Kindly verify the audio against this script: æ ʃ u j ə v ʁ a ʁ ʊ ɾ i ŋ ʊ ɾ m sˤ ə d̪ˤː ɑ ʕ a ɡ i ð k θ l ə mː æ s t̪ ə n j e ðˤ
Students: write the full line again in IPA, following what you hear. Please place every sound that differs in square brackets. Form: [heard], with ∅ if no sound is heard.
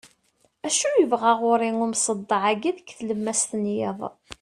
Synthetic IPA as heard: æ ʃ u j ə v ʁ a ʁ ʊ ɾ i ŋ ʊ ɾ m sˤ ə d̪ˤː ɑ ʕ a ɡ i ð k θ l ə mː æ s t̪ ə n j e ðˤ